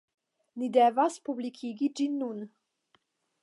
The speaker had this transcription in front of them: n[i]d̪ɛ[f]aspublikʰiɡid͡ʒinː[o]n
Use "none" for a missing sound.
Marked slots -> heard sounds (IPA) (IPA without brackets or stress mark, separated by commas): i, v, u